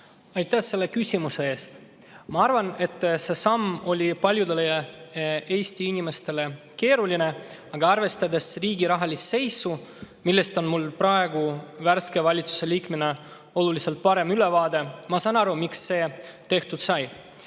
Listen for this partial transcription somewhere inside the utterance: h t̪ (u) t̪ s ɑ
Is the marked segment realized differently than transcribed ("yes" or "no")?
no